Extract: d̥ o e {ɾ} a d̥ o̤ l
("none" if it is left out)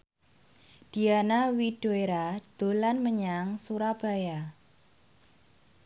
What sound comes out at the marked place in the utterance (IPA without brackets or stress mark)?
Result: ɾ